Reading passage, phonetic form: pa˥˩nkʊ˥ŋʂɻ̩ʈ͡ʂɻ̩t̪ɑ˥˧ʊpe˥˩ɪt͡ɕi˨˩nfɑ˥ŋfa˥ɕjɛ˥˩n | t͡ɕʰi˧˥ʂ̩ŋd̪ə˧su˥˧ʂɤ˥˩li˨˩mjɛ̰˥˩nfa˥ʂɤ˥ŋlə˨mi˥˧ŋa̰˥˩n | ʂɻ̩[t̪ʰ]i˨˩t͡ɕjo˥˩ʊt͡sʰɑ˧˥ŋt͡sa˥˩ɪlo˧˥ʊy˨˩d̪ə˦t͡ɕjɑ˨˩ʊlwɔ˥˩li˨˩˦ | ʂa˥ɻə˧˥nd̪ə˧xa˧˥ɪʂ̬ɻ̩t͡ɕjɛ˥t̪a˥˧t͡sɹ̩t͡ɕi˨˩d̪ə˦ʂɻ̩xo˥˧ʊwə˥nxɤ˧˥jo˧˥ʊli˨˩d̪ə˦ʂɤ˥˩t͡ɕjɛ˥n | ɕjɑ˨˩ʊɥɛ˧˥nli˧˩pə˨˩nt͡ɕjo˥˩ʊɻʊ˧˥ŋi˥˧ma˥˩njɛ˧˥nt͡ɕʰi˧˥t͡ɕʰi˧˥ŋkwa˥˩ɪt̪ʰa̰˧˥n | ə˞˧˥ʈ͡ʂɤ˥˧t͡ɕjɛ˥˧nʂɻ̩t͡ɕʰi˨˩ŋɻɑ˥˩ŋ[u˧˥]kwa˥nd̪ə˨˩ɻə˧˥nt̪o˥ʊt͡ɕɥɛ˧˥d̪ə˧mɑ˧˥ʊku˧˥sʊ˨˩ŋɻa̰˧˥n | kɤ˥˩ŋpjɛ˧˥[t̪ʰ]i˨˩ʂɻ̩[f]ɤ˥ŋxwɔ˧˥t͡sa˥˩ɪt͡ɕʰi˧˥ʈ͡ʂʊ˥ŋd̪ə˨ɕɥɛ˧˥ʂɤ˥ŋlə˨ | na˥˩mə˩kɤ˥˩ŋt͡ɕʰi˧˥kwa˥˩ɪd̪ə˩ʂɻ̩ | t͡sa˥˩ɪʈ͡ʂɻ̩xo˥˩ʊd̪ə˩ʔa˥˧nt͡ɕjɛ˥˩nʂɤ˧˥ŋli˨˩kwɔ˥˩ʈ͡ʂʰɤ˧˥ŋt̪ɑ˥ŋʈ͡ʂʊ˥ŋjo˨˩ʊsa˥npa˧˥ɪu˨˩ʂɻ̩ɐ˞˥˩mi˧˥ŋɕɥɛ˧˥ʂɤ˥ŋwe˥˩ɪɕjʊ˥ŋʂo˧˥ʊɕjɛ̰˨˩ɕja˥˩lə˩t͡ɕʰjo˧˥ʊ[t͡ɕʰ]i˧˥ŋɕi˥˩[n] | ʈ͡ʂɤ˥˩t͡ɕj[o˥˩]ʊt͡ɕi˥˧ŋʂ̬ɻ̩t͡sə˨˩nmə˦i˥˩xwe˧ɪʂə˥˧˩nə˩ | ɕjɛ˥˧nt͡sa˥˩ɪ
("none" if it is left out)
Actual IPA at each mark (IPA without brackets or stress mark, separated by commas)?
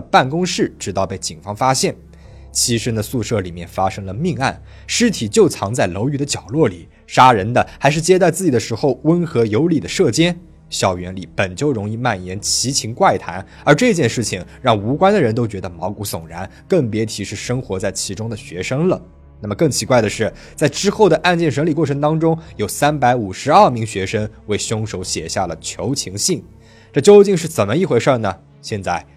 t̪ʰ, u˧˥, t̪ʰ, ʂ, t͡ɕʰ, ŋ, o˥